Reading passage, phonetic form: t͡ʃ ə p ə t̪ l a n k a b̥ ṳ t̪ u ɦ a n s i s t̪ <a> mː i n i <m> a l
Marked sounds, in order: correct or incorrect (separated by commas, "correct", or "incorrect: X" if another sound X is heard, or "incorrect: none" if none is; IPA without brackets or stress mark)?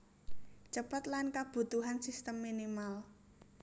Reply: incorrect: ə, correct